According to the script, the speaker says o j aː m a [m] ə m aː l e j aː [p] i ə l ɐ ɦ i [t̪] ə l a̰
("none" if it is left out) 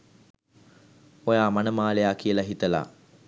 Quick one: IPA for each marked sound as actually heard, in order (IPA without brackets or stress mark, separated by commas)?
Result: n, k, t̪